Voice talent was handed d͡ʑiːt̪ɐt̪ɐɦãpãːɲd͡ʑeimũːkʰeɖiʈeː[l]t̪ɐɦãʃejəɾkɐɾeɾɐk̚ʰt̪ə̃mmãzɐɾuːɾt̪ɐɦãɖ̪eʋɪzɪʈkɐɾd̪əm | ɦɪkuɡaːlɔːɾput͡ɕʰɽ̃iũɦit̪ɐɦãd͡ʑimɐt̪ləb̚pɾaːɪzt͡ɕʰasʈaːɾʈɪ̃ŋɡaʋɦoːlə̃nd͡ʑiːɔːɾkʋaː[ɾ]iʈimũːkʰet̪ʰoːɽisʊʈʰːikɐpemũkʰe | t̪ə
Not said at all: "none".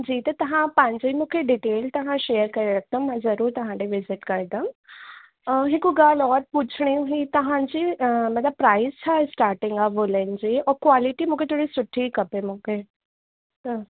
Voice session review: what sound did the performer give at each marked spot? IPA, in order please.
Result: l, l

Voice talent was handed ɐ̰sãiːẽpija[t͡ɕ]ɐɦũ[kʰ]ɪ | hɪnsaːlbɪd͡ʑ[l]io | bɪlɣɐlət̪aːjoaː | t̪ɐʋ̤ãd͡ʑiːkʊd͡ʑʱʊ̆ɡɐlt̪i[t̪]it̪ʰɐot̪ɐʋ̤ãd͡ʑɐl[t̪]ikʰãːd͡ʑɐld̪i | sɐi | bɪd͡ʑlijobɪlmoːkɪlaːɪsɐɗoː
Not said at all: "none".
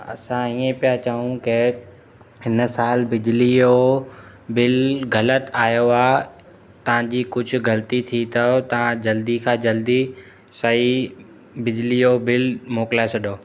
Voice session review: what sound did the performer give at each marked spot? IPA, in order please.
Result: t͡ɕ, k, l, t̪ʰ, d̪

